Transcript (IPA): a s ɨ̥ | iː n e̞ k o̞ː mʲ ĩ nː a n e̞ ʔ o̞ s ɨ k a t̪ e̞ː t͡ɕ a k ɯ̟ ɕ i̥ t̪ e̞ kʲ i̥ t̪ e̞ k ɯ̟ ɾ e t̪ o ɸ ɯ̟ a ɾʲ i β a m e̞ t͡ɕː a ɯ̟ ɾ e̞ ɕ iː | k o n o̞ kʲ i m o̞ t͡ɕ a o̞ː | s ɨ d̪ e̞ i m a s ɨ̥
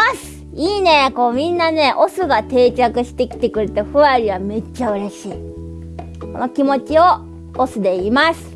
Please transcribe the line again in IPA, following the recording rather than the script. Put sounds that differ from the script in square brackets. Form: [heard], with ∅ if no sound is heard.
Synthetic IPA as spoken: a s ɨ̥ | iː n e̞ k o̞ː mʲ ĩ nː a n e̞ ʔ o̞ s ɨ [ɡ] a t̪ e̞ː t͡ɕ a k ɯ̟ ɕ i̥ t̪ e̞ kʲ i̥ t̪ e̞ k ɯ̟ ɾ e t̪ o ɸ ɯ̟ a ɾʲ i β a m e̞ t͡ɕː a ɯ̟ ɾ e̞ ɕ iː | k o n o̞ kʲ i m o̞ t͡ɕ [i] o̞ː | s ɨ d̪ e̞ i m a s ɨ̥